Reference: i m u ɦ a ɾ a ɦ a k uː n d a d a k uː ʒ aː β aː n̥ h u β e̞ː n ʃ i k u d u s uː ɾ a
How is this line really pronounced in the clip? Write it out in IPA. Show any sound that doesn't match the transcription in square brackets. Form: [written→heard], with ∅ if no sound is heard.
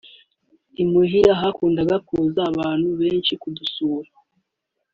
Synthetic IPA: i m u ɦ [a→i] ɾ a ɦ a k uː n d a [d→ɡ] a k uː [ʒ→z] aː β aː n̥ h u β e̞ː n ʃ i k u d u s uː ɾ a

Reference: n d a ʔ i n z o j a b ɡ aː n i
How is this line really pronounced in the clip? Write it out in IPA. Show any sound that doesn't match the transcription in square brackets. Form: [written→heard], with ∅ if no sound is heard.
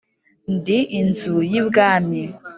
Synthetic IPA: n d [a→i] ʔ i n z [o→u] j [a→i] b ɡ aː [n→m] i

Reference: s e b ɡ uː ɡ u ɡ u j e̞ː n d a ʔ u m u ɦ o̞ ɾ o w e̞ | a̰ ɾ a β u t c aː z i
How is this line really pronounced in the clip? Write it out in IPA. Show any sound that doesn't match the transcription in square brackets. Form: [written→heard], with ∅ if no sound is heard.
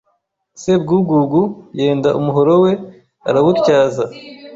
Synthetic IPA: s e b ɡ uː ɡ u ɡ u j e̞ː n d a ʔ u m u ɦ o̞ ɾ o w e̞ | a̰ ɾ a β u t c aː z [i→a]

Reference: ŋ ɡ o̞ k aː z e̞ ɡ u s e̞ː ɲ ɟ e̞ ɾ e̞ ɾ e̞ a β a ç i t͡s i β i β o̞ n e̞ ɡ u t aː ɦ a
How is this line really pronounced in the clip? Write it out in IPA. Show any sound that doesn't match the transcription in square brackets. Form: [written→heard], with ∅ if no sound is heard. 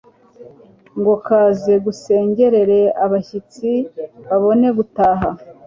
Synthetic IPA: ŋ ɡ o̞ k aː z e̞ ɡ u s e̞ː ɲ ɟ e̞ ɾ e̞ ɾ e̞ a β a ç i t͡s i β [i→a] β o̞ n e̞ ɡ u t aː ɦ a

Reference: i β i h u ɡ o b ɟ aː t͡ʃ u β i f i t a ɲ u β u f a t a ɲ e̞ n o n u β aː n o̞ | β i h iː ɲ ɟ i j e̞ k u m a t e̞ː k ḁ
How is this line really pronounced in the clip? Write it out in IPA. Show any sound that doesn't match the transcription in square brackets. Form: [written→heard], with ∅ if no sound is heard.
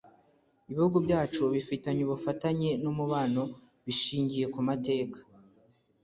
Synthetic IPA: i β i h u ɡ [o→u] b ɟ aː t͡ʃ u β i f i t a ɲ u β u f a t a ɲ e̞ n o [n→m] u β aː n o̞ | β i [h→ʃ] iː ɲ ɟ i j e̞ k u m a t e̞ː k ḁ

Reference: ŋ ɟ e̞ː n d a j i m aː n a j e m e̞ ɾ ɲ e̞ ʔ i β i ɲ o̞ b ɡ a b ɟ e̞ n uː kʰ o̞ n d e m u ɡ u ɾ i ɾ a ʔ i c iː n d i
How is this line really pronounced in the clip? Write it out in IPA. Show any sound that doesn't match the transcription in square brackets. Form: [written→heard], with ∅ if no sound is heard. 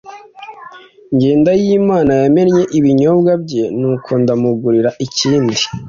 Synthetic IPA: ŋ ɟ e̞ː n d a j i m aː n a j [e→a] m e̞ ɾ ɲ e̞ ʔ i β i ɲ o̞ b ɡ a b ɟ e̞ n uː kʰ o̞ n d [e→a] m u ɡ u ɾ i ɾ a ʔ i c iː n d i

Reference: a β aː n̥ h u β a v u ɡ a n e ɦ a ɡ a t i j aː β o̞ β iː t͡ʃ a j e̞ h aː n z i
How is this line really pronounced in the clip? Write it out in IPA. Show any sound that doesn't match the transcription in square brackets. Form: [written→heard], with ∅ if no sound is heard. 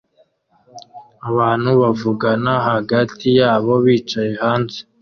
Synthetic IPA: a β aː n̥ h u β a v u ɡ a n [e→a] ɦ a ɡ a t i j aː β o̞ β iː t͡ʃ a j e̞ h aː n z [i→e]

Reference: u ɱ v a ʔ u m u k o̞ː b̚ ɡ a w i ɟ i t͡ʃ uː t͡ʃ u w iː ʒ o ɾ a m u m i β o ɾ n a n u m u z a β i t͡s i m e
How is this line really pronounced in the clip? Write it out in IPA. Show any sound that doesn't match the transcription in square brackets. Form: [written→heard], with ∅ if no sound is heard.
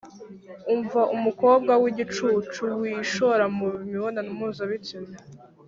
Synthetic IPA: u ɱ v a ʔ u m u k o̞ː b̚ ɡ a w i ɟ i t͡ʃ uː t͡ʃ u w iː [ʒ→ʃ] o ɾ a m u m i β o [ɾ→∅] n a n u m u z a β i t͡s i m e

